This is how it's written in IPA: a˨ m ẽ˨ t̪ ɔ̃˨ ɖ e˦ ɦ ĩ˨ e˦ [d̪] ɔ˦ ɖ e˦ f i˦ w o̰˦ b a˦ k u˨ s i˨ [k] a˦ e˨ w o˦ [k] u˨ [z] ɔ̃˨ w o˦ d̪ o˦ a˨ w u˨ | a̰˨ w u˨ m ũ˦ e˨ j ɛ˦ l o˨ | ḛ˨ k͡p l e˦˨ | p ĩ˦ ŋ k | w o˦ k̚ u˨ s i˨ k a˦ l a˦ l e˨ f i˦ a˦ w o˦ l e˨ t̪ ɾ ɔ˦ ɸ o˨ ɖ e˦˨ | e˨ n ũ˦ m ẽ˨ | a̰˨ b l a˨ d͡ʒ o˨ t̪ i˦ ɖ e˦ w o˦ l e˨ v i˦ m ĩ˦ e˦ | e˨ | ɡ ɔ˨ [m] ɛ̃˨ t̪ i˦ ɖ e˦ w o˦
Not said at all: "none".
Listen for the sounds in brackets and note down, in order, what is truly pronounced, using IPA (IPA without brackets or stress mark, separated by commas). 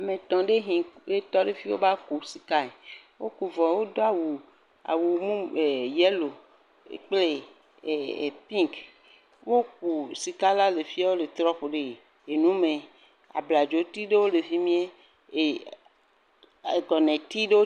t̪, k, k, v, n